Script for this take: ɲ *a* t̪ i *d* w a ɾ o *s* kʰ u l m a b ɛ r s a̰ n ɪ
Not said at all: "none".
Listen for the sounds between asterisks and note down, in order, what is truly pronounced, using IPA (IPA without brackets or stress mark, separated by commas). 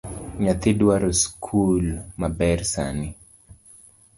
a, d, s